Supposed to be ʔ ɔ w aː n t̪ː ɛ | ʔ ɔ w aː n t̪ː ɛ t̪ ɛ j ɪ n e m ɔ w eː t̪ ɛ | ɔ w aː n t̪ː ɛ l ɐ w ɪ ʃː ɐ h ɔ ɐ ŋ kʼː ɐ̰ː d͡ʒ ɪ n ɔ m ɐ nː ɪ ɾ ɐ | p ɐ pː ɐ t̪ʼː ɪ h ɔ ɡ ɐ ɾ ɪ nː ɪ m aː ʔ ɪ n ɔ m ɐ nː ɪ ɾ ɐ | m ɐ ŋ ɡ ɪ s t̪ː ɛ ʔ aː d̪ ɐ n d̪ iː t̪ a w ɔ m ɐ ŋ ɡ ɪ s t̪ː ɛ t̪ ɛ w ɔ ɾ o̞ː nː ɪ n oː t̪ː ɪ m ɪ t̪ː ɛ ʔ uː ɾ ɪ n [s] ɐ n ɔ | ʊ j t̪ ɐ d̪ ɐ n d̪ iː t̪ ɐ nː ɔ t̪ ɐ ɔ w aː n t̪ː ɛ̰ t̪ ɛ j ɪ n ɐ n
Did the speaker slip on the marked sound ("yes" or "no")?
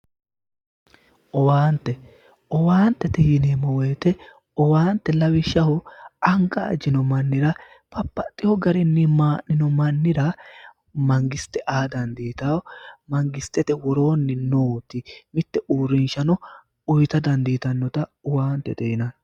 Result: yes